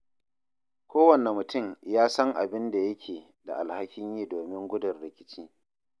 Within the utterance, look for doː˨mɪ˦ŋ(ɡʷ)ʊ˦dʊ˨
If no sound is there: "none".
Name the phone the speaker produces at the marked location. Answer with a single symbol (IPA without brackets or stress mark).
ɡʷ